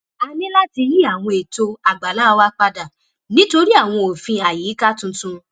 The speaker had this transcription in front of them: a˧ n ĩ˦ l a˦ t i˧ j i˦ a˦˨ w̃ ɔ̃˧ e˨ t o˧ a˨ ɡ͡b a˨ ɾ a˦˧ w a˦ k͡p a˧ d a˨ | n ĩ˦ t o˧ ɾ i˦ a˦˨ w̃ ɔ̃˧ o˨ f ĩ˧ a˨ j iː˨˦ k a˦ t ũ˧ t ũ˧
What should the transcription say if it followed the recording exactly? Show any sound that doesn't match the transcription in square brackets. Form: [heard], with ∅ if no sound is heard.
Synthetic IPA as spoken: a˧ n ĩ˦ l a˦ t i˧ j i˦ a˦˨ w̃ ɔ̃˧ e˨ t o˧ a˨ ɡ͡b a˨ [l] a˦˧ w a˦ k͡p a˧ d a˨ | n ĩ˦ t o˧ ɾ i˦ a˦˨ w̃ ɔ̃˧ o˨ f ĩ˧ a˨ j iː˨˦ k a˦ t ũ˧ t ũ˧

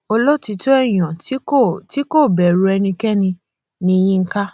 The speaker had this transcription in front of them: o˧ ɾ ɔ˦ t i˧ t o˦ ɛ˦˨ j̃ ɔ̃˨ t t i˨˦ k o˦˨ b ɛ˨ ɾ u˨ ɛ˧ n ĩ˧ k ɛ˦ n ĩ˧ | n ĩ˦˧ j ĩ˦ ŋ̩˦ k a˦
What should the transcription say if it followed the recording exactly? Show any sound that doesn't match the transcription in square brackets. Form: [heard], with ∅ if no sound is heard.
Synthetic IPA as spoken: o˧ [l] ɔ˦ t i˧ t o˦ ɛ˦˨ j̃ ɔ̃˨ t t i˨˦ k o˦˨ b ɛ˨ ɾ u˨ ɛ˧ n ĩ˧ k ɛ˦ n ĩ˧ | n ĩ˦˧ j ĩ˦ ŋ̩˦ k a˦

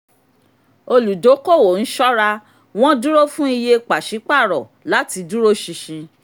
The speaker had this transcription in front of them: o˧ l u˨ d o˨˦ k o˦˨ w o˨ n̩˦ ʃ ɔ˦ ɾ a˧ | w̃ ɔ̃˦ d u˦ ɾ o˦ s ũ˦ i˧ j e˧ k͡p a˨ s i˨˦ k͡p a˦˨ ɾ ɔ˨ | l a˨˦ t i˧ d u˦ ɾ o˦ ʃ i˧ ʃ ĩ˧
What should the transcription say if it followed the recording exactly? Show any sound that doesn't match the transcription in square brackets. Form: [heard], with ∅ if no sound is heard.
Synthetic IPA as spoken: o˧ l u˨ d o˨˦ k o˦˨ w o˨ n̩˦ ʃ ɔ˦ ɾ a˧ | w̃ ɔ̃˦ d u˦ ɾ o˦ [f] ũ˦ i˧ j e˧ k͡p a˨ [ʃ] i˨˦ k͡p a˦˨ ɾ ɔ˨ | l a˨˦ t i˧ d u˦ ɾ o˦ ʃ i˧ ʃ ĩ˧

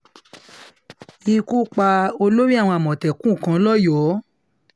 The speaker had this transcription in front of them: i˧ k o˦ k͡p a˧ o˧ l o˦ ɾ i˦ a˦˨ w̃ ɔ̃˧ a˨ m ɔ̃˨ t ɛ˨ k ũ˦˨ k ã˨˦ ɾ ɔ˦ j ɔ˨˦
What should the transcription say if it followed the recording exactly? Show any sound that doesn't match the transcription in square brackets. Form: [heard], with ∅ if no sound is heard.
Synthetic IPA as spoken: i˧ k [u˦] k͡p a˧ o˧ l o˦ ɾ i˦ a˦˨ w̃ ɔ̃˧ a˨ m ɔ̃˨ t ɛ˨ k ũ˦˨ k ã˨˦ [l] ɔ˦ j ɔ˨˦

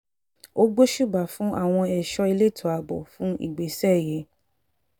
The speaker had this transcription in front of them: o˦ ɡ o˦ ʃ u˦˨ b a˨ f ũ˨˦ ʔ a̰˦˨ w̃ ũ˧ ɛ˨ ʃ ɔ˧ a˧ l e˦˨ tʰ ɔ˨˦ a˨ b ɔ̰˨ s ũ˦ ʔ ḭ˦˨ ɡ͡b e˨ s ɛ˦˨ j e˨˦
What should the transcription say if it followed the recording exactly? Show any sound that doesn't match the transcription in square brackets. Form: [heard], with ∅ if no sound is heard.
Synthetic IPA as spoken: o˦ [ɡ͡b] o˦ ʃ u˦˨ b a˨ f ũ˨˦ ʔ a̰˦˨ w̃ [ɔ̃˧] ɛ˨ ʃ ɔ˧ [i˧] l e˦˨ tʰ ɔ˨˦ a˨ b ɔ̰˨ [f] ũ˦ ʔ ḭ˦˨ ɡ͡b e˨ s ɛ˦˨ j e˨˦

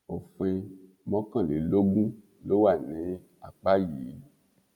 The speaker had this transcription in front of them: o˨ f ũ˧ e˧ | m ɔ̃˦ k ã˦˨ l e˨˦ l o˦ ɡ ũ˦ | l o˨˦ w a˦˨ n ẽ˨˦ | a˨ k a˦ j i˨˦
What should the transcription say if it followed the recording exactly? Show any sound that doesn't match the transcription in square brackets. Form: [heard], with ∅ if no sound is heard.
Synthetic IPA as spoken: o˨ f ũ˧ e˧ | m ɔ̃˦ k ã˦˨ l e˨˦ l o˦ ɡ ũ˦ | l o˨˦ w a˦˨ n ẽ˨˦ | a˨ [k͡p] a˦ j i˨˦

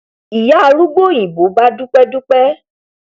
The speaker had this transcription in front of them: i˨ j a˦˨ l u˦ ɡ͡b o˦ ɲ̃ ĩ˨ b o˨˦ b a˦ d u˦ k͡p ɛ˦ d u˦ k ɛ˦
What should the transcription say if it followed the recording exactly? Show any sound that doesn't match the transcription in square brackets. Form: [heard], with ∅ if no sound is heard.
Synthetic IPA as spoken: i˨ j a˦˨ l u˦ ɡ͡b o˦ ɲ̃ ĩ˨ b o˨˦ b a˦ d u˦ k͡p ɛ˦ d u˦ [k͡p] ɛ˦

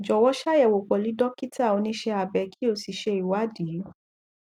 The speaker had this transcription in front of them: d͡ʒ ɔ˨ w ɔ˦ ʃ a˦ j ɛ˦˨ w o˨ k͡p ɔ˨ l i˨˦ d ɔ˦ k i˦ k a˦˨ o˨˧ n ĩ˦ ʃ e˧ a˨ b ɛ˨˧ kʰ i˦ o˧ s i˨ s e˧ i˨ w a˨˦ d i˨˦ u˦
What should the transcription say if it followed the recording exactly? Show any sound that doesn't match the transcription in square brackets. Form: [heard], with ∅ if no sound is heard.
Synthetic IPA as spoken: d͡ʒ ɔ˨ w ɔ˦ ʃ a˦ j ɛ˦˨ w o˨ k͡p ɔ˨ l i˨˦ d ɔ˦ k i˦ [t] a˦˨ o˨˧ n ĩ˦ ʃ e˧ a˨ b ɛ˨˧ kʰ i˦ o˧ s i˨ [ʃ] e˧ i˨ w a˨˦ d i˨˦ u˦

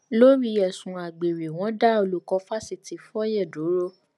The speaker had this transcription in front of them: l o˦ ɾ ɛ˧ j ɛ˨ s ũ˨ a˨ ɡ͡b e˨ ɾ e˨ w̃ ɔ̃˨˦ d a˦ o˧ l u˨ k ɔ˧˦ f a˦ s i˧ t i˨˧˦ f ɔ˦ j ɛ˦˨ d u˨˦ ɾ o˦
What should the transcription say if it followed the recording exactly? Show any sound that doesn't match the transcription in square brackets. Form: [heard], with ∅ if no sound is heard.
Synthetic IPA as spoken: l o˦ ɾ [i˧] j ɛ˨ s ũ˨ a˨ ɡ͡b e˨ ɾ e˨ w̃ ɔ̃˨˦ d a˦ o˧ l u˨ k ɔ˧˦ f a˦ s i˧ t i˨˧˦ f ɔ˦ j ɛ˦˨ d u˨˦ ɾ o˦

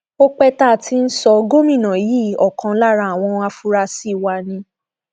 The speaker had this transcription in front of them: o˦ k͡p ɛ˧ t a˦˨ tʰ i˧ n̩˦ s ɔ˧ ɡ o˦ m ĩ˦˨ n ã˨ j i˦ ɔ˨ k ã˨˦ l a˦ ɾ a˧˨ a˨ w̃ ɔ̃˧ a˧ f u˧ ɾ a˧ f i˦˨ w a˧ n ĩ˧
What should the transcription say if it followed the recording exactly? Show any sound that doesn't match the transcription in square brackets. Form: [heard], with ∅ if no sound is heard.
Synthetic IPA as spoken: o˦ k͡p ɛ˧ t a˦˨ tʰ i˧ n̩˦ s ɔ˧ ɡ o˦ m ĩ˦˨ n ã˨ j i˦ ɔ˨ k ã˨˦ l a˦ ɾ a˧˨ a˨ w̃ ɔ̃˧ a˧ f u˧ ɾ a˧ [s] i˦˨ w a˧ n ĩ˧

